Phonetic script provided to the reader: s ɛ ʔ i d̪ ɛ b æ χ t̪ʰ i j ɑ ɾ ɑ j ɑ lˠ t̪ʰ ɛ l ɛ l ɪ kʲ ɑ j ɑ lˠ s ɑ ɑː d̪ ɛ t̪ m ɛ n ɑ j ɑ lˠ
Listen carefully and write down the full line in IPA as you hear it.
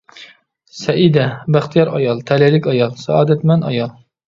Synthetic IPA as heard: s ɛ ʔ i d̪ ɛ b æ χ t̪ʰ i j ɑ ɾ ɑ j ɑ lˠ t̪ʰ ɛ l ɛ l ɪ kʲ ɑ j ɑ lˠ s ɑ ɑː d̪ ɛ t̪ m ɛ n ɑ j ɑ lˠ